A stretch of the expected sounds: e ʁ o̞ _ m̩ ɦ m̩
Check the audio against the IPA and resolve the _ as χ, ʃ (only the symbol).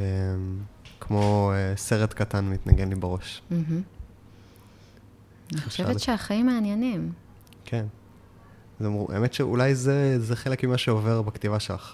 ʃ